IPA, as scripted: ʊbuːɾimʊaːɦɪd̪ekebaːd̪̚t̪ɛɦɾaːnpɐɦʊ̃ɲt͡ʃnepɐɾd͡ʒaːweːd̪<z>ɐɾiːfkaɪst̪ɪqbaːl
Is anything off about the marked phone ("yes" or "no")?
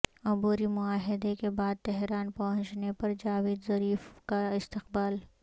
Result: no